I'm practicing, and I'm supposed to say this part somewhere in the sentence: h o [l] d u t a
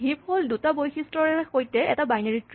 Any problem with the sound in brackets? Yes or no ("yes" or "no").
no